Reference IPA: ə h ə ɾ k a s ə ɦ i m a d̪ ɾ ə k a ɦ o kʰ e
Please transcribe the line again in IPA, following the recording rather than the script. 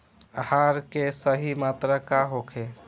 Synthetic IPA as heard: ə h a ɾ k e s ə ɦ i m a t̪ ɾ ə k a ɦ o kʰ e